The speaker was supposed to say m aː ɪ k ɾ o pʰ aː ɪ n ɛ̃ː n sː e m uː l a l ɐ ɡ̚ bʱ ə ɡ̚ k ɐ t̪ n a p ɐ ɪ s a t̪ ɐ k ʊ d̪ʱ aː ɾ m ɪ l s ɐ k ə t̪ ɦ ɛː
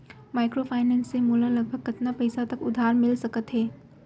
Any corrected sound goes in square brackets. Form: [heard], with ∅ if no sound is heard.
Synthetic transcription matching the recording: m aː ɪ k ɾ o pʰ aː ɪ n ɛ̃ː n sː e m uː l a l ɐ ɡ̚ bʱ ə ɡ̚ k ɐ t̪ n a p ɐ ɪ s a t̪ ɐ k ʊ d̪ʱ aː ɾ m ɪ l s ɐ k ə t̪ ɦ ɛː